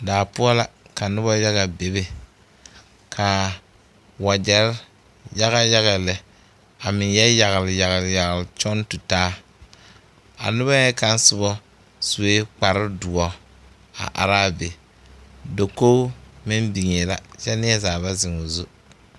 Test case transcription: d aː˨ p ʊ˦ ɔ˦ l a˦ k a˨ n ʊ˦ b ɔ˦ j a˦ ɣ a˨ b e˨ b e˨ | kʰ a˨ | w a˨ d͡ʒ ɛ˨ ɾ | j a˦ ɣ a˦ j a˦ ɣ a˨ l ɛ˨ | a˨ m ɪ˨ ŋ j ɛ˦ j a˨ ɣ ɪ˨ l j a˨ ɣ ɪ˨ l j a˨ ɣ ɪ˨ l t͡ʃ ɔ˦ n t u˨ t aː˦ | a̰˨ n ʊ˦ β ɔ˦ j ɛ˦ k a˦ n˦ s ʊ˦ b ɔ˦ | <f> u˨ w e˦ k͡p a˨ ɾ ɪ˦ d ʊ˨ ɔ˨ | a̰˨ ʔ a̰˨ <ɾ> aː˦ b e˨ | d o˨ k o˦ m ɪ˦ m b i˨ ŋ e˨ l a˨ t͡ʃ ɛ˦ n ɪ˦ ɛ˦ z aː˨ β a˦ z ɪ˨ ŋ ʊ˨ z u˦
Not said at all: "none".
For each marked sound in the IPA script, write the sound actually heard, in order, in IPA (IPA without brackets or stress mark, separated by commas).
s, ɾ